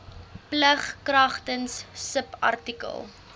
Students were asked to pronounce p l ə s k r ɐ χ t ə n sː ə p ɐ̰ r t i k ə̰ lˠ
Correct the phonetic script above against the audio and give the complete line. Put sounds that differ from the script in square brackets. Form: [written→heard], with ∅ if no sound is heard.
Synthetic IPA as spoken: p l ə [s→χ] k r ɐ χ t ə n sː ə p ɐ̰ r t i k ə̰ lˠ